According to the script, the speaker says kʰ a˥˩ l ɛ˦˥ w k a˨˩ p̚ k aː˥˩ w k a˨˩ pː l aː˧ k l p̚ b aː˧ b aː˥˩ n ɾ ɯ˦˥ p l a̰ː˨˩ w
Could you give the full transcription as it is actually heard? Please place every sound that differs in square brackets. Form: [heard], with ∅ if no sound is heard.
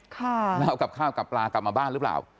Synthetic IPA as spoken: kʰ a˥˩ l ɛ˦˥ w k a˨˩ p̚ [kʰ] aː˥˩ w k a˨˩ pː l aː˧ k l p̚ [m] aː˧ b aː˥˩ n ɾ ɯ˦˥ p l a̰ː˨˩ w